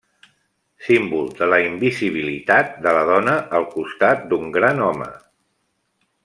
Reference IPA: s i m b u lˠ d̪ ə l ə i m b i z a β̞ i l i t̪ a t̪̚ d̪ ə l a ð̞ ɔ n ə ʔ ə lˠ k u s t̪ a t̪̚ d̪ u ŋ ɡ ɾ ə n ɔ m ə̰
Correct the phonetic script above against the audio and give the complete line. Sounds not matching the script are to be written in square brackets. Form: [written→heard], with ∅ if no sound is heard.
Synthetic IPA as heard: s i m b u lˠ d̪ ə l ə i m b i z [a→i] β̞ i l i t̪ a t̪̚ d̪ ə l [a→ə] ð̞ ɔ n ə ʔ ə lˠ k u s t̪ a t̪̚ d̪ u ŋ ɡ ɾ [ə→a] n ɔ m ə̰